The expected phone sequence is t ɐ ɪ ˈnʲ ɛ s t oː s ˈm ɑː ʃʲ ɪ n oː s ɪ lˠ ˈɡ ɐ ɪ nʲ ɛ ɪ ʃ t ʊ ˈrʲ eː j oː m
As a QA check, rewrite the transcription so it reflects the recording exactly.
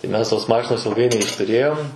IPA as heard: t ɐ ɪ ˈmʲ ɛ s t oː s ˈm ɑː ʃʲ ɪ n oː s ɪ lˠ ˈɡ ɐ ɪ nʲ ɛ ɪ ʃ t ʊ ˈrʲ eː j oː m